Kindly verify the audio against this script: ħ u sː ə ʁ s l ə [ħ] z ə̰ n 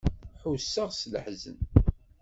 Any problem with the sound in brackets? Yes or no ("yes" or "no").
no